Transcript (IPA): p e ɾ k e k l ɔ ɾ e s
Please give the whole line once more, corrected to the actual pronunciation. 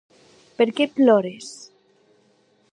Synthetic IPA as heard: p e ɾ k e p l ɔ ɾ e s